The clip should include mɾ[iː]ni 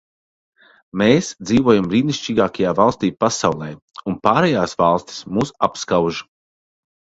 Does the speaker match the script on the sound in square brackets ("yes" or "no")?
yes